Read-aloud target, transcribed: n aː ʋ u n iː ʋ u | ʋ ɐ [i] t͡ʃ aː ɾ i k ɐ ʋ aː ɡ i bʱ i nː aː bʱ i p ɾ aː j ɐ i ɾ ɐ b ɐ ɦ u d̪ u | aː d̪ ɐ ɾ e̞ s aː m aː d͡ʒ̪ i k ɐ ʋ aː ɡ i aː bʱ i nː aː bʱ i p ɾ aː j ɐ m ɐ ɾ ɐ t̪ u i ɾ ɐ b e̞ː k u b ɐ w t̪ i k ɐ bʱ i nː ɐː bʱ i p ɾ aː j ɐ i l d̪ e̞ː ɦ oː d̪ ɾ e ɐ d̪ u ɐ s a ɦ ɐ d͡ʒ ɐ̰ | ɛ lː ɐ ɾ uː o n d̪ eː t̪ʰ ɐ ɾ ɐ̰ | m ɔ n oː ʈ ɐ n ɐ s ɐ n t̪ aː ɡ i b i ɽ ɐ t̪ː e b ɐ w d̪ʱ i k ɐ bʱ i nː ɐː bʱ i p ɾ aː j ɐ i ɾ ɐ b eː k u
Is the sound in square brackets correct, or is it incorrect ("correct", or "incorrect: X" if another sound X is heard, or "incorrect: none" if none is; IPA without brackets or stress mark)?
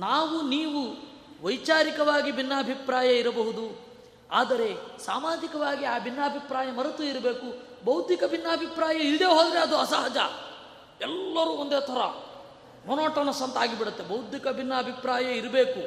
incorrect: j